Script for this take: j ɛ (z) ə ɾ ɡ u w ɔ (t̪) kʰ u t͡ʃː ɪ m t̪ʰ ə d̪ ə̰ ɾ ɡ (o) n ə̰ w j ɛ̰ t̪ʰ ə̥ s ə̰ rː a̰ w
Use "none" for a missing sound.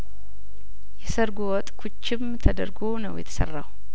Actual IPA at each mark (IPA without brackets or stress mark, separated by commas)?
s, t̪ʼ, o